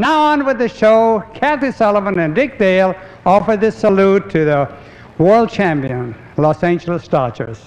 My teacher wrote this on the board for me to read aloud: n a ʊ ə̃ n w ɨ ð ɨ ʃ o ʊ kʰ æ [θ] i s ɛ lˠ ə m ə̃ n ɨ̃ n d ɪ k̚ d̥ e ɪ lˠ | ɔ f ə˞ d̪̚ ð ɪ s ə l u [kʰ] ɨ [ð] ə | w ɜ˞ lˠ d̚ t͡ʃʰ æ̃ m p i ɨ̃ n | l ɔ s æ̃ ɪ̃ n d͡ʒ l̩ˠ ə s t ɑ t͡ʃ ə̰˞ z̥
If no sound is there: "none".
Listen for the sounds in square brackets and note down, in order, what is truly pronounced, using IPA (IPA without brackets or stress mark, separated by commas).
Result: θ, tʰ, ð